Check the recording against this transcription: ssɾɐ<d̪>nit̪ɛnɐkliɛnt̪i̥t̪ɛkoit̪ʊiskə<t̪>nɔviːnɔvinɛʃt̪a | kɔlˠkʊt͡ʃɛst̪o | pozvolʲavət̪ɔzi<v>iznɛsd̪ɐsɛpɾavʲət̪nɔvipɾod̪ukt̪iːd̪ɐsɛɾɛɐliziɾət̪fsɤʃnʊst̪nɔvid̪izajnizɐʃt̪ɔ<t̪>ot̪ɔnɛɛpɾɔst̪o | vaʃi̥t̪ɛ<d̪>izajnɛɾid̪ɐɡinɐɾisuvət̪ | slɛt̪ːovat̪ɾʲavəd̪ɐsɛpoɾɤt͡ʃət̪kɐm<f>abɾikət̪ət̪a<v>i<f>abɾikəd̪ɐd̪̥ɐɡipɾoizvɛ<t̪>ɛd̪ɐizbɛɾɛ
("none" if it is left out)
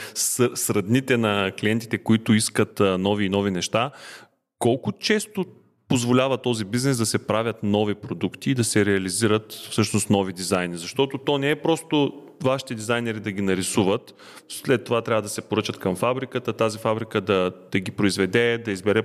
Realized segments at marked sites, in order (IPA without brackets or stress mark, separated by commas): d̪, t̪, b, t̪, d̪, f, z, f, d̪